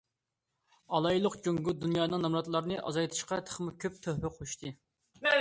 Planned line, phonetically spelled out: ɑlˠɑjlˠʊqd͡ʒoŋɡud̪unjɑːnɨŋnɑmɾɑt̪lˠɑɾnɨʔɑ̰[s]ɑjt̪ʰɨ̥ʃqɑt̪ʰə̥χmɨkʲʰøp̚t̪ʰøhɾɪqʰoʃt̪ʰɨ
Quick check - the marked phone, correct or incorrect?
incorrect